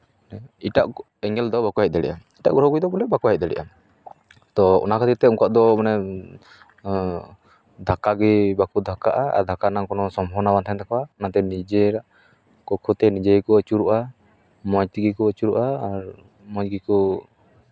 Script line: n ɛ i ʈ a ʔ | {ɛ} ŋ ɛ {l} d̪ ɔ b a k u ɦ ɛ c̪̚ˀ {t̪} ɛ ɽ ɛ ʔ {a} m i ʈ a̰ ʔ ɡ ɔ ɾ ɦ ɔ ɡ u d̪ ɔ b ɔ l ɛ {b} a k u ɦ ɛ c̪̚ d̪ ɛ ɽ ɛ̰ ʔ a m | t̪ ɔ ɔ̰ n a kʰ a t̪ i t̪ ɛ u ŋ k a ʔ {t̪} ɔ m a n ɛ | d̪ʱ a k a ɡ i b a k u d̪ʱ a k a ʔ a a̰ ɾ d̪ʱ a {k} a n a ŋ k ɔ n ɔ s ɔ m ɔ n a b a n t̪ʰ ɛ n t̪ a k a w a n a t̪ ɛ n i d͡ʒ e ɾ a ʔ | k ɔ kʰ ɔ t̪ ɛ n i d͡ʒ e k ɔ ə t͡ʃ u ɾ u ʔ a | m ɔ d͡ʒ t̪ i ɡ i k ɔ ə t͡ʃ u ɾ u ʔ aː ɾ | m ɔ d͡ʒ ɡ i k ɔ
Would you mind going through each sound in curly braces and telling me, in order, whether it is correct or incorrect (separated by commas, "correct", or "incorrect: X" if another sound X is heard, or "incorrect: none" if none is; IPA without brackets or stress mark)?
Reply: correct, correct, incorrect: d̪, correct, correct, incorrect: d̪, correct